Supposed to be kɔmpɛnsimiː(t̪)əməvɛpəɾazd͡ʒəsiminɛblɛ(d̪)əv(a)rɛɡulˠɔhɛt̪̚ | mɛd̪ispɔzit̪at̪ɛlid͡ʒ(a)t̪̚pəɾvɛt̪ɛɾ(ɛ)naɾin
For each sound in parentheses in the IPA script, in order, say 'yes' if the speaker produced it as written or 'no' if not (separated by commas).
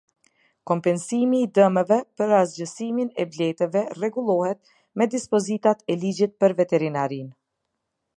no, no, no, no, no